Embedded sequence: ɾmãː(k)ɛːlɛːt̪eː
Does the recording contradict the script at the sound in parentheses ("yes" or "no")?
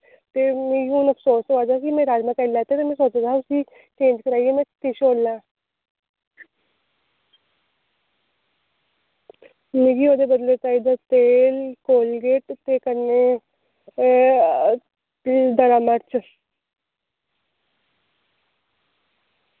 no